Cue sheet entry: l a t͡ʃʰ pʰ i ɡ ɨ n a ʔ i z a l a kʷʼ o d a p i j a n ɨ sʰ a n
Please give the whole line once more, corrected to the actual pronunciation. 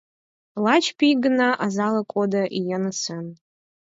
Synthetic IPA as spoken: l a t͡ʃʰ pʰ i ɡ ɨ n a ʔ a z a l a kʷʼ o d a ʔ i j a n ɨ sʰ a n